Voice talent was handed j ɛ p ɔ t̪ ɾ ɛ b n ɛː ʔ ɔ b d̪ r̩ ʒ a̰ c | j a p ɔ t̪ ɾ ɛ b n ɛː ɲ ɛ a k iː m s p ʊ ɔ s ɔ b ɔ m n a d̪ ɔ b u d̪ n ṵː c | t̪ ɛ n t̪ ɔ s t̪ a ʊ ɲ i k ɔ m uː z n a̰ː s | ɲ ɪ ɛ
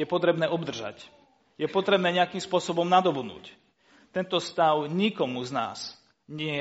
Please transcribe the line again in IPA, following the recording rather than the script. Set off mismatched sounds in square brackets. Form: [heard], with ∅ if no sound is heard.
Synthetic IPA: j ɛ p ɔ t̪ ɾ ɛ b n ɛː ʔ ɔ b d̪ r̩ ʒ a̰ c | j [ɛ] p ɔ t̪ ɾ ɛ b n ɛː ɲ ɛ a k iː m s p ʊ ɔ s ɔ b ɔ m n a d̪ ɔ b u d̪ n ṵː c | t̪ ɛ n t̪ ɔ s t̪ a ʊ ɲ i k ɔ m [u] z n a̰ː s | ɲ ɪ ɛ